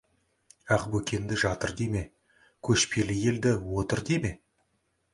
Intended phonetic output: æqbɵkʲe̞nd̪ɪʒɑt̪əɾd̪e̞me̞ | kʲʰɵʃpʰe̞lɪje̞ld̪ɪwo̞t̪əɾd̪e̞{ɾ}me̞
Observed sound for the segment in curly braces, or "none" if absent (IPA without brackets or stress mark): none